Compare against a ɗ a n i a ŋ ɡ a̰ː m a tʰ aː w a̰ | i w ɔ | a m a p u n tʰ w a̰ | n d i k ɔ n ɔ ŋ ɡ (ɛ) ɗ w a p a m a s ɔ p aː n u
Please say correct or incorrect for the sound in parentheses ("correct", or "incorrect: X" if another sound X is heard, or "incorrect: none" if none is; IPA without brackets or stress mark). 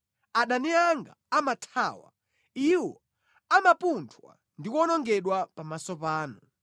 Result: correct